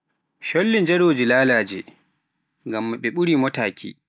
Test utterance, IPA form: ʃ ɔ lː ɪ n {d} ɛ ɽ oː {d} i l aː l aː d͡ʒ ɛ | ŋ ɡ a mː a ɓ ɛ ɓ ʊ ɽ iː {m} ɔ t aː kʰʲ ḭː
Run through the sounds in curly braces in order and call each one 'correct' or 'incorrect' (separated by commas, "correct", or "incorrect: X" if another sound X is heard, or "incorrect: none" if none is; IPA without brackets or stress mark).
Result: incorrect: d͡ʒ, incorrect: d͡ʒ, correct